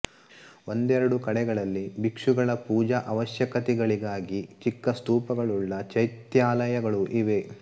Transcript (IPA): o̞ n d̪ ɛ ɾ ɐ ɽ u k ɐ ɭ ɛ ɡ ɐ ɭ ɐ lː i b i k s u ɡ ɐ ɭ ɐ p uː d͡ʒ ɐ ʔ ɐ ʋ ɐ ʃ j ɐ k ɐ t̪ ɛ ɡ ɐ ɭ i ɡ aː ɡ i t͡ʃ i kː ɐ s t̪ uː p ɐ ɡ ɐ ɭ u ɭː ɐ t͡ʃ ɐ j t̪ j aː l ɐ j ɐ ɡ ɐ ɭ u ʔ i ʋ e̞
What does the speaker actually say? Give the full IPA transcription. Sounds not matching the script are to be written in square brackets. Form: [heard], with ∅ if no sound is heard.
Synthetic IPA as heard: o̞ n d̪ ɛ ɾ ɐ ɽ u k ɐ [ɽ] ɛ ɡ ɐ ɭ ɐ lː i b i k [ʂ] u ɡ ɐ ɭ ɐ p uː d͡ʒ ɐ ʔ ɐ ʋ ɐ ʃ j ɐ k ɐ t̪ ɛ ɡ ɐ ɭ i ɡ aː ɡ i t͡ʃ i kː ɐ s t̪ uː p ɐ ɡ ɐ ɭ u ɭː ɐ t͡ʃ ɐ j t̪ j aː l ɐ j ɐ ɡ ɐ ɭ u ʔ i ʋ e̞